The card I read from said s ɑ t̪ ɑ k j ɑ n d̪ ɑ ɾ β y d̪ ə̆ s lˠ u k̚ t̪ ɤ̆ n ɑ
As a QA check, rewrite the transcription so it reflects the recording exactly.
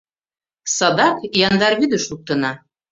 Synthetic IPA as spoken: s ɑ d̪ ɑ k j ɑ n d̪ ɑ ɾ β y d̪ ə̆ ʃ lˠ u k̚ t̪ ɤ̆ n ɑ